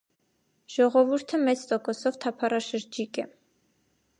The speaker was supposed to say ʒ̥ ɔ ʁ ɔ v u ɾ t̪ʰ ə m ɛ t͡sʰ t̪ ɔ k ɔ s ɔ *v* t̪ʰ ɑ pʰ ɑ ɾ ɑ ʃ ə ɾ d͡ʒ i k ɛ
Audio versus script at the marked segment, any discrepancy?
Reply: no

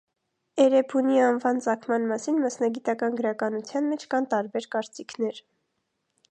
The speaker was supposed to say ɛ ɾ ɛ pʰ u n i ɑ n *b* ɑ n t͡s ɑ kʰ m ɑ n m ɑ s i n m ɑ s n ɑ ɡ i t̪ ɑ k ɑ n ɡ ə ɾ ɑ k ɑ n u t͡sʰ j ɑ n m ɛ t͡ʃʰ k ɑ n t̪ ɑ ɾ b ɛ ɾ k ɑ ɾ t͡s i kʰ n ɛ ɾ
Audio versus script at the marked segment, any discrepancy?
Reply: yes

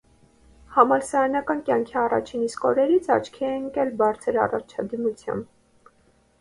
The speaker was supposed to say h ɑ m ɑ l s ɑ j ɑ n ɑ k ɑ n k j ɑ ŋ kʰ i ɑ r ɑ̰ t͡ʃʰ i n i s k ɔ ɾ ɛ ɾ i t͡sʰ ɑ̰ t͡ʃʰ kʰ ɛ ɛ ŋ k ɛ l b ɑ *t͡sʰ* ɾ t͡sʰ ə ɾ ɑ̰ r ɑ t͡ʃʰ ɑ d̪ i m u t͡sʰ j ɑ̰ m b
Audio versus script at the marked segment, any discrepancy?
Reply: yes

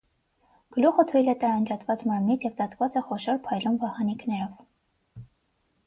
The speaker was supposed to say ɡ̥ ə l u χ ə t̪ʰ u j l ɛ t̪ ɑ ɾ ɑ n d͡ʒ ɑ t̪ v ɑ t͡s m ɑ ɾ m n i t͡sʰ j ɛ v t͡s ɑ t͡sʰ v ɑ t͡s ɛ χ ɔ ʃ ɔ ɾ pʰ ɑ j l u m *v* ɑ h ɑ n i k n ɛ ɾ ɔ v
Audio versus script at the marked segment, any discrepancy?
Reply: no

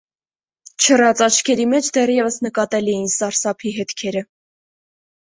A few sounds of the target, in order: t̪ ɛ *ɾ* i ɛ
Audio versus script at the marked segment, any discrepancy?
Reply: yes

